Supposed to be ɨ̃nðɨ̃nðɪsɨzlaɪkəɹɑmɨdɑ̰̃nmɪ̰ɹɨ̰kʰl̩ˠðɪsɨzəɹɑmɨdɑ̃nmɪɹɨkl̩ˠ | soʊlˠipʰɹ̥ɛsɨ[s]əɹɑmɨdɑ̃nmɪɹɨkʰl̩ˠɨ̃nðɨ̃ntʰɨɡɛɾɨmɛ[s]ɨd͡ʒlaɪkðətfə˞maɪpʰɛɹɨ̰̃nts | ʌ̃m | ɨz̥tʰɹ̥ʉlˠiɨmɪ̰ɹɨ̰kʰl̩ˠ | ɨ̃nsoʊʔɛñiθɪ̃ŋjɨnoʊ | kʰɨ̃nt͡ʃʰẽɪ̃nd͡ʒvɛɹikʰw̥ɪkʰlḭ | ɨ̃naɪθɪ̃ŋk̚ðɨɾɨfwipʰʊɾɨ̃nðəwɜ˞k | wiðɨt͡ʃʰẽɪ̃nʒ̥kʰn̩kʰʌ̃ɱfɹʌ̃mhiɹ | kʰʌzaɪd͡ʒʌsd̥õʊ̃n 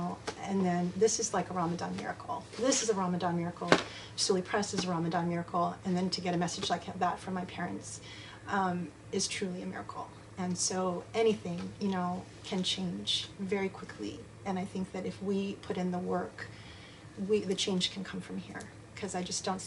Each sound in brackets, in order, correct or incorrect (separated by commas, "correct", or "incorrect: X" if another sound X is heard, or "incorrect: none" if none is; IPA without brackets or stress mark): incorrect: z, correct